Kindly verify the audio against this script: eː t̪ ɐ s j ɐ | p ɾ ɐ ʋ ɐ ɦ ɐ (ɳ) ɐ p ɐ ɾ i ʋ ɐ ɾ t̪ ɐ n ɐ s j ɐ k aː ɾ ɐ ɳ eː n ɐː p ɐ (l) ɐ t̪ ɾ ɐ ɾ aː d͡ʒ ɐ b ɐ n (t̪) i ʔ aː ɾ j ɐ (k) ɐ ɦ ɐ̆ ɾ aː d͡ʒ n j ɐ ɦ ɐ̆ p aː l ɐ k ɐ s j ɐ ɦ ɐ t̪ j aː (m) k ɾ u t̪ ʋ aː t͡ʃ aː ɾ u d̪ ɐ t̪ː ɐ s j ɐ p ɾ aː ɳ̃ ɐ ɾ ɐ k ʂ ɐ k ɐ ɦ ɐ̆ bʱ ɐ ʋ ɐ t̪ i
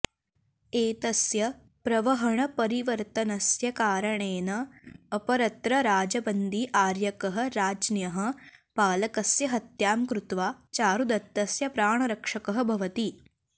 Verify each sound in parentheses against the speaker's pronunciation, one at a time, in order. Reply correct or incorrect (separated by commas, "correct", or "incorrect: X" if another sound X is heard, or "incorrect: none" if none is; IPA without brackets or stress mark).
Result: correct, incorrect: ɾ, incorrect: d̪, correct, correct